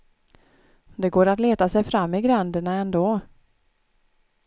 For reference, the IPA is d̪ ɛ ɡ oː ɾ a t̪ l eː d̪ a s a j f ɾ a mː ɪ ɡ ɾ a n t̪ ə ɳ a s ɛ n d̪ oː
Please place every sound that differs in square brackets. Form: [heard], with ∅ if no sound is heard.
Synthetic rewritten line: d̪ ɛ ɡ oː ɾ a t̪ l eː [t̪] a s [ɛ] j f ɾ a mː ɪ ɡ ɾ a n [d̪] ə ɳ a [∅] ɛ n d̪ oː